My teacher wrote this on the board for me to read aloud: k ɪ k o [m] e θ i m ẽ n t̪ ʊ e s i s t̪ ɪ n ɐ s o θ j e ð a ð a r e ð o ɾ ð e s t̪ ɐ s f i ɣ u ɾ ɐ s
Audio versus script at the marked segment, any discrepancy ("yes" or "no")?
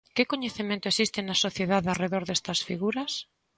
yes